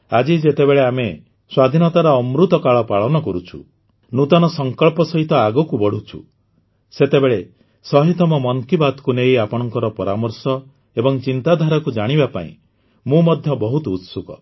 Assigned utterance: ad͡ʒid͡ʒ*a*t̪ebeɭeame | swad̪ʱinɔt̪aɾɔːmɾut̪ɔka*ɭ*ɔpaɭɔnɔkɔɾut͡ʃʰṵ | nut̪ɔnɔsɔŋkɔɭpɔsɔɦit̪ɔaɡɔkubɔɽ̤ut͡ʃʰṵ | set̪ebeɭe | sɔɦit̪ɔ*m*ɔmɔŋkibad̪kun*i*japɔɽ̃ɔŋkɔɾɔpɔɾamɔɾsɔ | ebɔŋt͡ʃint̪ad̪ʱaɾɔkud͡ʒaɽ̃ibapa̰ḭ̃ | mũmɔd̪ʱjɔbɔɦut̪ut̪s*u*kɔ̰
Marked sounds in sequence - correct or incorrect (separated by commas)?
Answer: incorrect, correct, correct, incorrect, correct